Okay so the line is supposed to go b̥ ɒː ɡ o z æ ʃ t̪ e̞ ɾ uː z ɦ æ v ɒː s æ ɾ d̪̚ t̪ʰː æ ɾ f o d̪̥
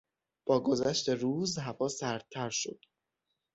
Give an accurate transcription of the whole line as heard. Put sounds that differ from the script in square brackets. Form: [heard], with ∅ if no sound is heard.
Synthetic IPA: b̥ ɒː ɡ o z æ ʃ t̪ e̞ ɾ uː z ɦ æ v ɒː s æ ɾ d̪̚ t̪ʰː æ ɾ [ʃ] o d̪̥